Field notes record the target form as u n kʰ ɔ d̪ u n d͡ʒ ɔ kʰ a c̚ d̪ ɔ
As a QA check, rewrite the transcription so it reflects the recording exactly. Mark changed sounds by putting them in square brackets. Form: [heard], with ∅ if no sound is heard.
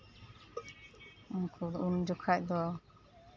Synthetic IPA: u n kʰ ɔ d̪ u n d͡ʒ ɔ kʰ a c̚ d̪ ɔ

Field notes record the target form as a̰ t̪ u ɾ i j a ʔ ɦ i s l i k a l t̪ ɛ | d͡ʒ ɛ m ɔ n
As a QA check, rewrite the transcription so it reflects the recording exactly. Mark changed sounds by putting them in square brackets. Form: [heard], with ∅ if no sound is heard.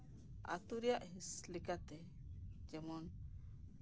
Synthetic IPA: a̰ t̪ u ɾ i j a ʔ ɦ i s l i k a [∅] t̪ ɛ | d͡ʒ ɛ m ɔ n

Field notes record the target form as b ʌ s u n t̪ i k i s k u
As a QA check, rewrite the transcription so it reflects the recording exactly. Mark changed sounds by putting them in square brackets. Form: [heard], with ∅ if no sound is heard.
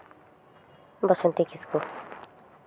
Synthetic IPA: b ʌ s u n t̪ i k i s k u

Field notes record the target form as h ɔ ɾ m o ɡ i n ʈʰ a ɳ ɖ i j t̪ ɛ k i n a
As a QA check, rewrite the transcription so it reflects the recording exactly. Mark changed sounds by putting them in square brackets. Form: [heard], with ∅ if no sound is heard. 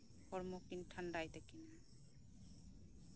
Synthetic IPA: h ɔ ɾ m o [k] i n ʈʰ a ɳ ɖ [a] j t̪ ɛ k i n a

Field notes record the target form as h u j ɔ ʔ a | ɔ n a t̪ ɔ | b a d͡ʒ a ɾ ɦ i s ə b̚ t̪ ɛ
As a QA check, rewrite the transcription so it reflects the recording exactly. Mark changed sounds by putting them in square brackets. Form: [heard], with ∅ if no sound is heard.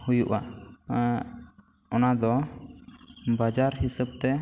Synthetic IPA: h u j [u] ʔ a | ɔ n a [d̪] ɔ | b a d͡ʒ a ɾ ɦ i s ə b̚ t̪ ɛ

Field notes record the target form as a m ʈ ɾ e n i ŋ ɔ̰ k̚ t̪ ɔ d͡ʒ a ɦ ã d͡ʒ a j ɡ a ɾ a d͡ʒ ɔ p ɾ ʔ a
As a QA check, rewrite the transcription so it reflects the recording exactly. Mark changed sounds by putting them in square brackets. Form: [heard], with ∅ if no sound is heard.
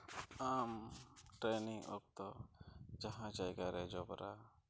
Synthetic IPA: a m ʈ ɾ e n i ŋ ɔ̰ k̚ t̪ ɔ d͡ʒ a ɦ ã d͡ʒ a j ɡ a ɾ [ɛ] d͡ʒ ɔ [b] ɾ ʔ a

